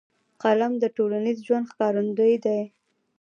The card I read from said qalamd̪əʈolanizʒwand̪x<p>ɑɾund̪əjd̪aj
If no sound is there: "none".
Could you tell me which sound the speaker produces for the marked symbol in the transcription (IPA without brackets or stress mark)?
k